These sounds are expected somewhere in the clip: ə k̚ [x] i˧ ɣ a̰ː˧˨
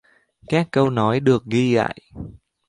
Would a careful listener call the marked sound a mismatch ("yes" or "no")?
yes